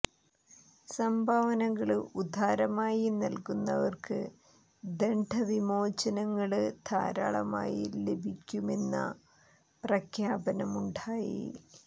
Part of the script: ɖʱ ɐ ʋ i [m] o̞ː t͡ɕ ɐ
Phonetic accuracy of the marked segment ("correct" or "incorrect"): correct